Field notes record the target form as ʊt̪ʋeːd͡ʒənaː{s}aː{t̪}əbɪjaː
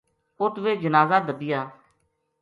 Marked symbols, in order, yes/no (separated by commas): no, no